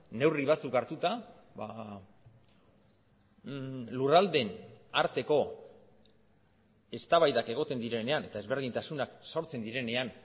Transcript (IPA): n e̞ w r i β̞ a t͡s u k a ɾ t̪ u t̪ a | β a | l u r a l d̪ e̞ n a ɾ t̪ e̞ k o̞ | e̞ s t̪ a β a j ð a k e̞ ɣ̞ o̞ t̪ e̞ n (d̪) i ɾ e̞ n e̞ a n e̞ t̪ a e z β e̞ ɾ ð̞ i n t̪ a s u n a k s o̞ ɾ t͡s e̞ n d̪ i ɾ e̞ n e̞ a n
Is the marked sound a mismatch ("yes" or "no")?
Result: no